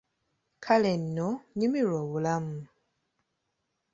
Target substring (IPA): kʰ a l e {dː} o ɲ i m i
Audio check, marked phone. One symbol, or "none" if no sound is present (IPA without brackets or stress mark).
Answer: nː